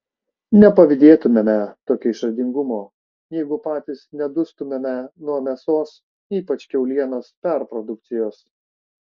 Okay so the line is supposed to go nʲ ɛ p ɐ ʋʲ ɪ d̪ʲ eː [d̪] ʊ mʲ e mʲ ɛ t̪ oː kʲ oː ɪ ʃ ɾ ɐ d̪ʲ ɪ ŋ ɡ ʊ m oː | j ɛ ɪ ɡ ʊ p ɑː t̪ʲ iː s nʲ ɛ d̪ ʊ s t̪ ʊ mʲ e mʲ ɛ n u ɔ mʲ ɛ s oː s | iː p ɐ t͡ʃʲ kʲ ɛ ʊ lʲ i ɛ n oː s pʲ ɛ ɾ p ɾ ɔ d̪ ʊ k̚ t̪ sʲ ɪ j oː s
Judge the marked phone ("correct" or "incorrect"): incorrect